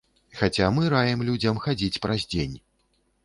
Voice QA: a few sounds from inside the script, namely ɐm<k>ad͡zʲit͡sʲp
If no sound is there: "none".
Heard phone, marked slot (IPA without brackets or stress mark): x